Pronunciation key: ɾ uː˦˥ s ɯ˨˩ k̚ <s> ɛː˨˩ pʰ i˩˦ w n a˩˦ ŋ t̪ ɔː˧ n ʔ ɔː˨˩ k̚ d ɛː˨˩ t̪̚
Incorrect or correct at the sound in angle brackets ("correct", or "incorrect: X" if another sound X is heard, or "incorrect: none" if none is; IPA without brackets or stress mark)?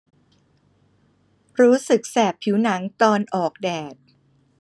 correct